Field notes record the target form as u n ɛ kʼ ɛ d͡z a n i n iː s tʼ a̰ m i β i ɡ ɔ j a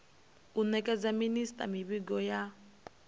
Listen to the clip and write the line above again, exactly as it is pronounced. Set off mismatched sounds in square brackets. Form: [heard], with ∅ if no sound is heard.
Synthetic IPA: u n ɛ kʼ ɛ d͡z a [m] i n [i] s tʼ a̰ m i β i ɡ ɔ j a